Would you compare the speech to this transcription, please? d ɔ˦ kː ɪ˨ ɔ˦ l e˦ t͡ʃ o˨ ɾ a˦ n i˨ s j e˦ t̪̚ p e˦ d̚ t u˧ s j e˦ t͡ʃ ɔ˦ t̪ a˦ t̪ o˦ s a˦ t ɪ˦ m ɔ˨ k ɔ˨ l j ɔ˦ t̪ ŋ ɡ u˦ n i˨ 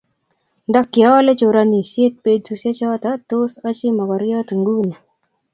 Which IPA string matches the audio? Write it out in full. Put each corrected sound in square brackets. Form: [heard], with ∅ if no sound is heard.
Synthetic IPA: d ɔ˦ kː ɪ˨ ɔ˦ l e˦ t͡ʃ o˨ ɾ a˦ n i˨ s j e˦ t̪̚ p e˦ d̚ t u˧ s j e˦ t͡ʃ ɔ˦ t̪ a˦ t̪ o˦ s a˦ [t͡ʃ] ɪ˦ m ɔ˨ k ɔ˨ [ɾ] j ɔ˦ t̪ ŋ ɡ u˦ n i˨